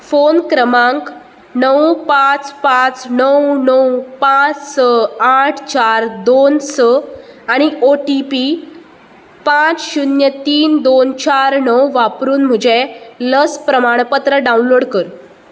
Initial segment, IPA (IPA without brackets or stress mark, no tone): f